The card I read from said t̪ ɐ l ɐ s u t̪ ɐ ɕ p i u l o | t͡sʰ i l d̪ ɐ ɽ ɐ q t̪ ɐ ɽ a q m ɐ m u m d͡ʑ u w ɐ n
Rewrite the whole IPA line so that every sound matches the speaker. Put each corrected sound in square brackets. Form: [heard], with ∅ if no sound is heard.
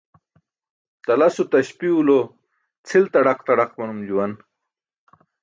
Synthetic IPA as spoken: t̪ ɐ l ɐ s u t̪ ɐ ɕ p i u l o | t͡sʰ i l [t̪] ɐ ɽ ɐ q t̪ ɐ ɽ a q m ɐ [n] u m d͡ʑ u w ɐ n